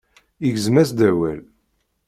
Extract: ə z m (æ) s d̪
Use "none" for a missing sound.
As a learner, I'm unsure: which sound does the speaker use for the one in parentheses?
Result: æ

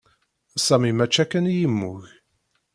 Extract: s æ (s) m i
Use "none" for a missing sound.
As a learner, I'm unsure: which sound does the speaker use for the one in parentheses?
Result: none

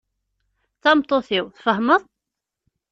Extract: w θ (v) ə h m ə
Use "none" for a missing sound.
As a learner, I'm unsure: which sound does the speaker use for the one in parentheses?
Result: f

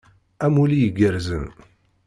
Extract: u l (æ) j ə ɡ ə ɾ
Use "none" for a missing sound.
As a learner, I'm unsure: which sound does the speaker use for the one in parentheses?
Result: i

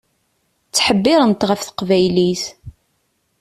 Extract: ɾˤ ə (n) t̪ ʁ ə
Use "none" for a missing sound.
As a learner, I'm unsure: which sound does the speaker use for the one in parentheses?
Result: n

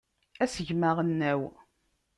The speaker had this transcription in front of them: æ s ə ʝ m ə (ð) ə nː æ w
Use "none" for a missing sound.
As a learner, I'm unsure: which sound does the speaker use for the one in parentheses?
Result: ʁ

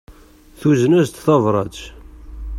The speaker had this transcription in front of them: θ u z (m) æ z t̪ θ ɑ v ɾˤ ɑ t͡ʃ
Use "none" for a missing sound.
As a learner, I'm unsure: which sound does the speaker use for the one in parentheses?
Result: n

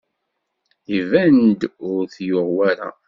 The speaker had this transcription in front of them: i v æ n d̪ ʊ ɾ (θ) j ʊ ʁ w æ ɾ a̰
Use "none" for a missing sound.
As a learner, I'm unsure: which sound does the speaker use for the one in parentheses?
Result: θ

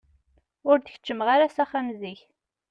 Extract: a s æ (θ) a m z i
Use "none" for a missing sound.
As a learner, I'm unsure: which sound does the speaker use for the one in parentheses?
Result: χ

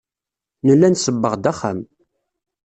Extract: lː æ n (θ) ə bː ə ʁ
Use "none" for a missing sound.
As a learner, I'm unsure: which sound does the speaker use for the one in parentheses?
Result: s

